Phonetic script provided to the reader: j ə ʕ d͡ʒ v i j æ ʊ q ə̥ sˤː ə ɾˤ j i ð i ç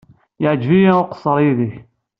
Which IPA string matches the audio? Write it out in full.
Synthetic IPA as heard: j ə ʕ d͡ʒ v i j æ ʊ q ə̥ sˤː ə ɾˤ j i ð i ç